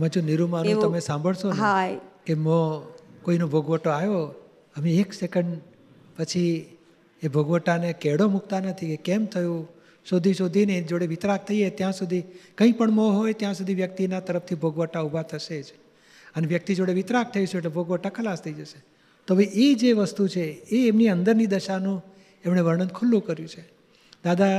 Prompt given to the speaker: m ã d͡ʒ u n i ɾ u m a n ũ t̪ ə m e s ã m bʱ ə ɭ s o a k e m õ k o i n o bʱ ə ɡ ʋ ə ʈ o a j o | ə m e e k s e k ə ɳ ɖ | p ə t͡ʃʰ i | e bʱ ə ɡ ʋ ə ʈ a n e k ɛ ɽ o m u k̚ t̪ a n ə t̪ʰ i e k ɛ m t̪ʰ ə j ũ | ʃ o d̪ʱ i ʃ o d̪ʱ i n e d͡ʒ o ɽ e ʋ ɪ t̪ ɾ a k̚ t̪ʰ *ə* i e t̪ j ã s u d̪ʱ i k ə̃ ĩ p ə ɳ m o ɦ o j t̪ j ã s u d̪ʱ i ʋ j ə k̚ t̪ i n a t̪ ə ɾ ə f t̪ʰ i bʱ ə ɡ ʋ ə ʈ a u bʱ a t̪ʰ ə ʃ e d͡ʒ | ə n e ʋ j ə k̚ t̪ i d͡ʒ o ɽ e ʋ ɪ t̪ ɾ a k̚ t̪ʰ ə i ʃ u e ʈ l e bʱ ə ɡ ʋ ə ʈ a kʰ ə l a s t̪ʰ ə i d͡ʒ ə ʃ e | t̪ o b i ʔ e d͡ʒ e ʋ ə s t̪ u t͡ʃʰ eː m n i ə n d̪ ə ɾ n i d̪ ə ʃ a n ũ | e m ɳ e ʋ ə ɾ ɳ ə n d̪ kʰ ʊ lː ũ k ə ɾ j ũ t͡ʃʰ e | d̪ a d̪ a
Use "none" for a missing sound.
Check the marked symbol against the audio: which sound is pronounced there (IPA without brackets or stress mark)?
ə